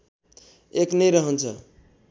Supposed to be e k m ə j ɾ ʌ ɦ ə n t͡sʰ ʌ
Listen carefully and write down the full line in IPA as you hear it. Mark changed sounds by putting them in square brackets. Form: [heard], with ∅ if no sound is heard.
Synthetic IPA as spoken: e k [n] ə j ɾ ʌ ɦ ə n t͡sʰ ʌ